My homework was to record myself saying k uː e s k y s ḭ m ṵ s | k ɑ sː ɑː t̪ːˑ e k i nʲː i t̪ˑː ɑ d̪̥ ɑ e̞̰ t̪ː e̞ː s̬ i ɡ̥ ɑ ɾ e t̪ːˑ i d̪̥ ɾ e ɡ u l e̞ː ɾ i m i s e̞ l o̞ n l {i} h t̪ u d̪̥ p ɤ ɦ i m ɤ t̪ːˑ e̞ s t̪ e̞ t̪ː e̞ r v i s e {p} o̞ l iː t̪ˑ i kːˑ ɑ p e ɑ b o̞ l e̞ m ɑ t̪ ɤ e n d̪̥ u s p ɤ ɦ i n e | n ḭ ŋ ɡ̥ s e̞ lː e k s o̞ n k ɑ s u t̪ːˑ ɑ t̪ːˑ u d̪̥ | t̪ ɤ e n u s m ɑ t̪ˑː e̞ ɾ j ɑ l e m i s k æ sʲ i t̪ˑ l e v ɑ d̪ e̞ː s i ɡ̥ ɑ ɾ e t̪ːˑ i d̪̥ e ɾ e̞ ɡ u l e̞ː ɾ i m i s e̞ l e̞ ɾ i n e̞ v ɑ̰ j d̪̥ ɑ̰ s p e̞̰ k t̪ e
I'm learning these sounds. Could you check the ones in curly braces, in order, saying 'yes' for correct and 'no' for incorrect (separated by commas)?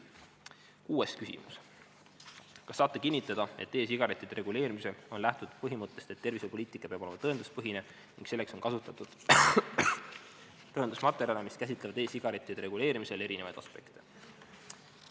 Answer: no, yes